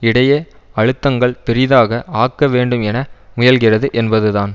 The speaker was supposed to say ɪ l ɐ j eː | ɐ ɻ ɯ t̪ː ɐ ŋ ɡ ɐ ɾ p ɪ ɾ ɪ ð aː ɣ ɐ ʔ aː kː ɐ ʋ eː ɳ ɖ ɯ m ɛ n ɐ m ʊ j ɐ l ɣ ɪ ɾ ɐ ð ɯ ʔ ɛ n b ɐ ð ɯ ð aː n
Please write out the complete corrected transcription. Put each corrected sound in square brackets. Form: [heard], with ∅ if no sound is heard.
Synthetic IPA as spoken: ɪ [ɽ] ɐ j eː | ɐ ɻ ɯ t̪ː ɐ ŋ ɡ ɐ [ɭ] p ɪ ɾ ɪ ð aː ɣ ɐ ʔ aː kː ɐ ʋ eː ɳ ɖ ɯ m ɛ n ɐ m ʊ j ɐ l ɣ ɪ [r] ɐ ð ɯ ʔ ɛ n b ɐ ð ɯ ð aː n